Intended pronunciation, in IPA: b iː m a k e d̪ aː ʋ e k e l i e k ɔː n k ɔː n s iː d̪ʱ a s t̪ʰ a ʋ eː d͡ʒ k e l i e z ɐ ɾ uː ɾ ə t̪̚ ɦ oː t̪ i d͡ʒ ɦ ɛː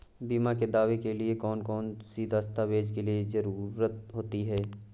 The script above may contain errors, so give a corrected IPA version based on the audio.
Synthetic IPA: b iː m a k e d̪ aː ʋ e k e l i e k ɔː n k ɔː n s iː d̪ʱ a s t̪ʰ a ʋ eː d͡ʒ k e l i e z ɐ ɾ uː ɾ ə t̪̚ ɦ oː t̪ i ɦ ɛː